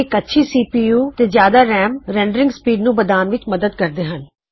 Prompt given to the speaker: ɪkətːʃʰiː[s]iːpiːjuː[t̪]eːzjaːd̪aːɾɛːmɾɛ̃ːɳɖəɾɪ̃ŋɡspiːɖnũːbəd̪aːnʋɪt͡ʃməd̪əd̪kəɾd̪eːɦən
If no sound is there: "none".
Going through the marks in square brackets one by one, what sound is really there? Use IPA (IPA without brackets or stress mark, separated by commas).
s, t̪